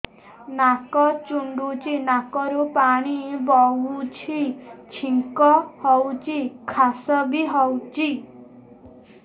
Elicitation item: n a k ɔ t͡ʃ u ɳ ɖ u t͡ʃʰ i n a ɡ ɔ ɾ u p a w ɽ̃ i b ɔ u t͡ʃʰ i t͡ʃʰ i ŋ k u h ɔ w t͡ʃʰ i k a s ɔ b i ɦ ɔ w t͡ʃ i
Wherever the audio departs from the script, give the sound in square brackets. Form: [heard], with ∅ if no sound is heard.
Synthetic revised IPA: n a k ɔ t͡ʃ u ɳ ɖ u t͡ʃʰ i n a [k] ɔ ɾ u p a [∅] ɽ̃ i b ɔ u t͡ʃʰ i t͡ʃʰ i ŋ k [ɔ] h ɔ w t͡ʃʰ i [kʰ] a s ɔ b i ɦ ɔ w t͡ʃ i